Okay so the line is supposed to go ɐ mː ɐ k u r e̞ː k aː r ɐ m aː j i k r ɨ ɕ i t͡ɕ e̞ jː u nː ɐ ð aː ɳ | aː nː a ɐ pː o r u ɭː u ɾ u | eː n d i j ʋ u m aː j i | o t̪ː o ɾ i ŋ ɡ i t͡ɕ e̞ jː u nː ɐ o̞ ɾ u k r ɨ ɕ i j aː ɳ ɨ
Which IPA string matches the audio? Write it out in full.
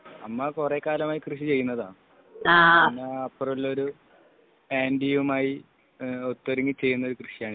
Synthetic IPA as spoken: ɐ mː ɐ k u r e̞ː k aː l ɐ m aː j i k r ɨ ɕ i t͡ɕ e̞ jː u nː ɐ ð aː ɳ | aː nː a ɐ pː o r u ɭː o ɾ u | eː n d i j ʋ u m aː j i | o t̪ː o ɾ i ŋ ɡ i t͡ɕ e̞ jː u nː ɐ o̞ ɾ u k r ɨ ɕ i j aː ɳ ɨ